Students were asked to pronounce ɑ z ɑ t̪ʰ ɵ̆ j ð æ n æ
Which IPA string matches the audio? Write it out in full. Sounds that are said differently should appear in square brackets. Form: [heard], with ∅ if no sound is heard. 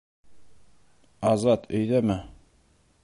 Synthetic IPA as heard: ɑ z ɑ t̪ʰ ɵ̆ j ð æ [m] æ